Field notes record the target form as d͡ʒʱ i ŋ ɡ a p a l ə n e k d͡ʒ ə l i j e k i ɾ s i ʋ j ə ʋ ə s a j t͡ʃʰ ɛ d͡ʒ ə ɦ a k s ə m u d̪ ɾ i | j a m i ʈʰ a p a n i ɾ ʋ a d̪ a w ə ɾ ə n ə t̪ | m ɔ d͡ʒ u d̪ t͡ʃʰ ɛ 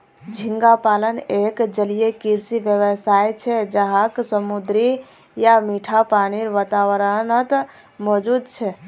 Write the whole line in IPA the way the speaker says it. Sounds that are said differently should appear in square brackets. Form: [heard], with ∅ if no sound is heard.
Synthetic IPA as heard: d͡ʒʱ i ŋ ɡ a p a l ə n e k d͡ʒ ə l i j e k i ɾ s i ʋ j ə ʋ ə s a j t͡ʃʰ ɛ d͡ʒ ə ɦ a k s ə m u d̪ ɾ i | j a m i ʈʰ a p a n i ɾ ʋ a [t̪] a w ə ɾ ə n ə t̪ | m ɔ d͡ʒ u d̪ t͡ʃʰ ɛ